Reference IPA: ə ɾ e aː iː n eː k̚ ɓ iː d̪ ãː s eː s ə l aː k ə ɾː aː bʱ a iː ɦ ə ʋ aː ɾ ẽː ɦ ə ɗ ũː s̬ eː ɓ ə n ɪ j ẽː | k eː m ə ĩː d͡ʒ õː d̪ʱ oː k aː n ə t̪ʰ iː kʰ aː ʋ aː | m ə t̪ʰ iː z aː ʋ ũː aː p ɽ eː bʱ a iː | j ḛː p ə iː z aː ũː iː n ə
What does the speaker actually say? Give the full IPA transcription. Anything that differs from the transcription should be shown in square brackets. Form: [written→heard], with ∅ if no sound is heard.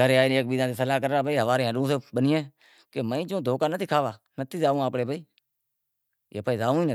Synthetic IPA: ə ɾ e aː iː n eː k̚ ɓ iː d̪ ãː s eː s ə l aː k ə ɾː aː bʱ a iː ɦ ə ʋ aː ɾ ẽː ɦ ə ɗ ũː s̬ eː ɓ ə n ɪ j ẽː | k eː m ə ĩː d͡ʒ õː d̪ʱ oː k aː n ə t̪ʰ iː kʰ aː ʋ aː | [m→n] ə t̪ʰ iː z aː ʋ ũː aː p ɽ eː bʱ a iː | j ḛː p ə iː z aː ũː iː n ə